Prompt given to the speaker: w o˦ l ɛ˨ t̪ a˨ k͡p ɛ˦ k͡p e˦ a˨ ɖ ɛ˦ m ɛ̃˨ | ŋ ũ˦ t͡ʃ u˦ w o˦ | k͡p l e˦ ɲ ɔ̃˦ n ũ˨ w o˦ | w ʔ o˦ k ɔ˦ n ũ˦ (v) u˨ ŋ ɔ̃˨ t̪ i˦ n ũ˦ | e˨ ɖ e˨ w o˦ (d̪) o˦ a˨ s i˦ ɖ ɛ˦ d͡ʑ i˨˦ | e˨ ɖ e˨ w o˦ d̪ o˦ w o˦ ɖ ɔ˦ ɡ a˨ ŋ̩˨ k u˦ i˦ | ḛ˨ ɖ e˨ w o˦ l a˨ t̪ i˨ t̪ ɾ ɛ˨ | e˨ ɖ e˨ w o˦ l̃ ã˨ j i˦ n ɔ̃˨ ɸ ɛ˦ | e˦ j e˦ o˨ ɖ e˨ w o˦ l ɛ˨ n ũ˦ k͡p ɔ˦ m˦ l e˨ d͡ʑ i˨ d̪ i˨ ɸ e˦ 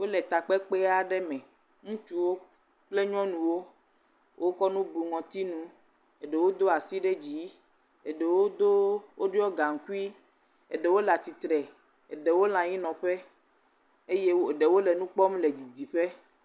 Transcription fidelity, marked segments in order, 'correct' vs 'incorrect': incorrect: b, correct

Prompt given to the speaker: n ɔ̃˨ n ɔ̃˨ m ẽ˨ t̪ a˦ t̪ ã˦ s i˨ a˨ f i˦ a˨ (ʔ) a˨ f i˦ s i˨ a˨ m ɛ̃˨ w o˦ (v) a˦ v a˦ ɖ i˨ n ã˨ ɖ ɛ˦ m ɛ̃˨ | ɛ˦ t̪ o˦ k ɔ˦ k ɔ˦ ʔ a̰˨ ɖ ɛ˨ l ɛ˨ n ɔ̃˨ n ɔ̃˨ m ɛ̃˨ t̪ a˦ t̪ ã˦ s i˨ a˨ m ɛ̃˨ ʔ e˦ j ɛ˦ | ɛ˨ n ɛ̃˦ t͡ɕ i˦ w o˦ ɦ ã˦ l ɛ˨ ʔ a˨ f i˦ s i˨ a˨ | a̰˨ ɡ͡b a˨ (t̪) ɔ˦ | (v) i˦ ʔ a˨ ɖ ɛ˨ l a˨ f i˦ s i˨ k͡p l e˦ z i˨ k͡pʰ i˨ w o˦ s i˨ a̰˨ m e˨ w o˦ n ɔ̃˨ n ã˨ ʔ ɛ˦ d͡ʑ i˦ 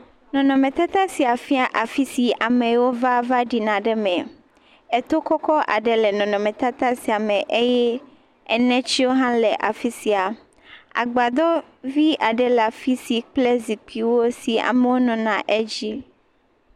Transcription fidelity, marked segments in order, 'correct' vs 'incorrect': correct, correct, incorrect: d̪, correct

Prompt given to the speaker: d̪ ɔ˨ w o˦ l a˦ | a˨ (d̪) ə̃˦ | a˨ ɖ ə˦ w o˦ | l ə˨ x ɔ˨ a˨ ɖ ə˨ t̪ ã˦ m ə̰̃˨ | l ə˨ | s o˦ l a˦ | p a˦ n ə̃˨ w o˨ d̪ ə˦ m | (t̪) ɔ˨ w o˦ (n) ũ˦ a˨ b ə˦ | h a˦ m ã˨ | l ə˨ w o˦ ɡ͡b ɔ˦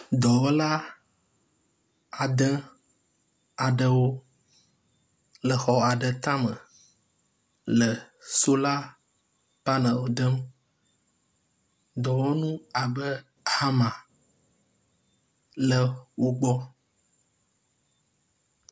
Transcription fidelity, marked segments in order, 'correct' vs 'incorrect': correct, incorrect: d̪, correct

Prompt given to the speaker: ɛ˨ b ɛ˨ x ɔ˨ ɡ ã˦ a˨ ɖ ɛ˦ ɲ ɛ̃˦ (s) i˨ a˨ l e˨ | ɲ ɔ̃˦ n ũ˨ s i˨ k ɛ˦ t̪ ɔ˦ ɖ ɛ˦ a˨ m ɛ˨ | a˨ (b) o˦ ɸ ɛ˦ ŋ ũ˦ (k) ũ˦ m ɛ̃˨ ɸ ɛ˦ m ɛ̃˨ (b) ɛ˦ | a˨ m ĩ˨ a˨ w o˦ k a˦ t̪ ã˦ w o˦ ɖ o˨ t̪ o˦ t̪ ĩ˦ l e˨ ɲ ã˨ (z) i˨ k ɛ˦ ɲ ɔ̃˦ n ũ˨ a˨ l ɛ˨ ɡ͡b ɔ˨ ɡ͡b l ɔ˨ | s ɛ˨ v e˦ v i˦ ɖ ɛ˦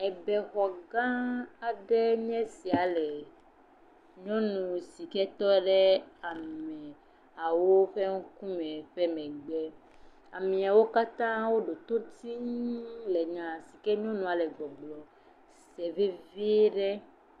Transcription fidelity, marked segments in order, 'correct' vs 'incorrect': correct, incorrect: w, correct, incorrect: ɡ͡b, incorrect: s

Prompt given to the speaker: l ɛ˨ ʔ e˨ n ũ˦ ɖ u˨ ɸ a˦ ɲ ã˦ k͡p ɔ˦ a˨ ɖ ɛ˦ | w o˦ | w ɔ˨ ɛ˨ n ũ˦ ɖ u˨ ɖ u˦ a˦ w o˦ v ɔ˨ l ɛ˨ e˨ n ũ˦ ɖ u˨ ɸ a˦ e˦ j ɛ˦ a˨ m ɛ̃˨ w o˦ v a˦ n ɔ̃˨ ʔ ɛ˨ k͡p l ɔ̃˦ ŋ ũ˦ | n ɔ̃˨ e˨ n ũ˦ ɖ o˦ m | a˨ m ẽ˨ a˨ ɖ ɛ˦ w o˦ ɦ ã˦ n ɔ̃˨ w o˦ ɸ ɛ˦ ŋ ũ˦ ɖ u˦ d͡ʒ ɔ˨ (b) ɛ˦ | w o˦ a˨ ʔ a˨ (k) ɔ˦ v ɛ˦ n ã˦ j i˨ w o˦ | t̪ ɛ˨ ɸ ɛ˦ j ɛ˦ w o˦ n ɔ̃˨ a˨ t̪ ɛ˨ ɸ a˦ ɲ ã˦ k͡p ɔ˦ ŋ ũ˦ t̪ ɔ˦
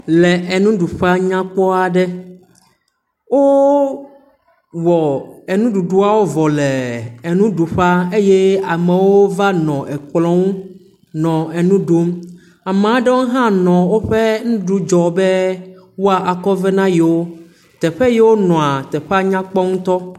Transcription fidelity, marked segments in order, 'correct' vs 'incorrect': correct, correct

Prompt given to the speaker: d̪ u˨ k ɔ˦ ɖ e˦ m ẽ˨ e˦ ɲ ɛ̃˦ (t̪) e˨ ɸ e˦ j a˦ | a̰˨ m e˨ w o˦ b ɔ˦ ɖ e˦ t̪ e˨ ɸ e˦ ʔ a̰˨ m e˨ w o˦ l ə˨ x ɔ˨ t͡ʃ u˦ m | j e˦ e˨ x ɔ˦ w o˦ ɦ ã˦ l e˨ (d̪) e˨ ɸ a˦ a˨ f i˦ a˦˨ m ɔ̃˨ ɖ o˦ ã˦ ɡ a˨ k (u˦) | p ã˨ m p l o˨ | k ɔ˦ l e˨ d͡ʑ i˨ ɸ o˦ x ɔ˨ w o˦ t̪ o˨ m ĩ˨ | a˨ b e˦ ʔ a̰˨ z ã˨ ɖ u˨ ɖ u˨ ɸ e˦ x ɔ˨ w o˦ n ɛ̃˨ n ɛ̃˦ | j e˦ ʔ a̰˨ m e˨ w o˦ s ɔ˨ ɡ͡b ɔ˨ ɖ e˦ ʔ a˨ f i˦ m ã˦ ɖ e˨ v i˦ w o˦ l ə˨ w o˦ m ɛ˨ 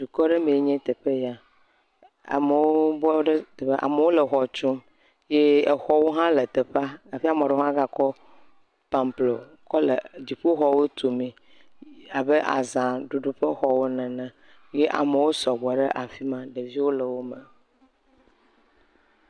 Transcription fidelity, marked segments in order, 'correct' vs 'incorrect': correct, incorrect: t̪, incorrect: ɔ˦

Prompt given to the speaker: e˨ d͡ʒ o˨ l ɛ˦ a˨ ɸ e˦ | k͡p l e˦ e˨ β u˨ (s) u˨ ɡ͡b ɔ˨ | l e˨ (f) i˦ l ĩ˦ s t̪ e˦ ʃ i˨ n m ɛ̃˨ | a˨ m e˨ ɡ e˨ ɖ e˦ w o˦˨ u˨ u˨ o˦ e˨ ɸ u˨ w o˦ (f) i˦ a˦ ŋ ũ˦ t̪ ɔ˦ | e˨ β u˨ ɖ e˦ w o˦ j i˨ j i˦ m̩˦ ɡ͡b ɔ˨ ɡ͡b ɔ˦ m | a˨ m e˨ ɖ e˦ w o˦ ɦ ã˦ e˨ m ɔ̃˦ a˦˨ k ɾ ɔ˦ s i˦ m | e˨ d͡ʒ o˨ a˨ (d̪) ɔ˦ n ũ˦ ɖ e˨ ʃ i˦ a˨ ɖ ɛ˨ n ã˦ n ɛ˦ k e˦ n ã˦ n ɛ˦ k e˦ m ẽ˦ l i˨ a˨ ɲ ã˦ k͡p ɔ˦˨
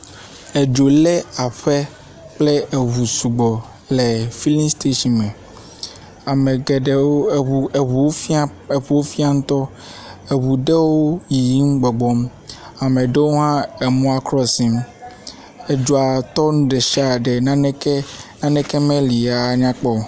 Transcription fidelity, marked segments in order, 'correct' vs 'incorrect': correct, correct, correct, incorrect: t̪

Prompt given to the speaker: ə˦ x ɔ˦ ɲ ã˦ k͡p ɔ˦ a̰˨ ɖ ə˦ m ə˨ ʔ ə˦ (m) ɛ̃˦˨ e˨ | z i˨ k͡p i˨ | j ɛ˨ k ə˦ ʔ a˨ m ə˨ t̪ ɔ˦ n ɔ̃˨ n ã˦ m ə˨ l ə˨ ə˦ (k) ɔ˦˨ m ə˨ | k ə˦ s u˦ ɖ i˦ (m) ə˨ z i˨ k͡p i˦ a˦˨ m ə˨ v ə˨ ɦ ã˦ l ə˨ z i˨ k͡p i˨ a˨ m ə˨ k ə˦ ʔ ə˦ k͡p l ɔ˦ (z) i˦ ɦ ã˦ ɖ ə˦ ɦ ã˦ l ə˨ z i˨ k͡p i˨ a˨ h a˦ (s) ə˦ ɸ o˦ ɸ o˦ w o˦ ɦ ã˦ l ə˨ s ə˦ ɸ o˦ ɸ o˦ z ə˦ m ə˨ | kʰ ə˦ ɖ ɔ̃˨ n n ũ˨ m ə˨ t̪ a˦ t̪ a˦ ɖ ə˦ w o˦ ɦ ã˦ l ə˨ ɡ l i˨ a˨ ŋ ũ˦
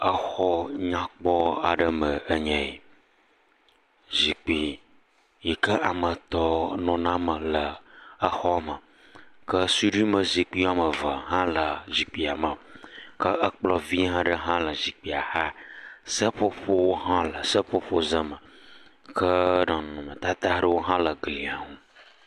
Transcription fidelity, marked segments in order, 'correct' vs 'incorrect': incorrect: ɲ, incorrect: x, correct, incorrect: v, correct

